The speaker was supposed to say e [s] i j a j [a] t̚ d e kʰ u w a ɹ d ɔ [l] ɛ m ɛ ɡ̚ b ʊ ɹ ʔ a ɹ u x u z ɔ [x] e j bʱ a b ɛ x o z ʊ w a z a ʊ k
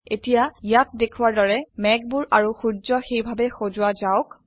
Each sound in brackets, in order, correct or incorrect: incorrect: t, correct, incorrect: ɹ, correct

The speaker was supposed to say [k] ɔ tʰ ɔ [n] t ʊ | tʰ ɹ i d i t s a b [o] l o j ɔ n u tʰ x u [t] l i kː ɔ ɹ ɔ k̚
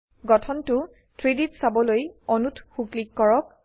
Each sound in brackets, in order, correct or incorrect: incorrect: ɡ, correct, incorrect: ɔ, incorrect: k

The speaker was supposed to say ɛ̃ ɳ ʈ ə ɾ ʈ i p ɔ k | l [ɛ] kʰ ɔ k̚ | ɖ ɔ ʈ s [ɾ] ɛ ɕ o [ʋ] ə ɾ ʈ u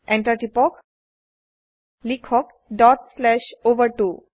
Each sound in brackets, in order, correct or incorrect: incorrect: i, incorrect: l, correct

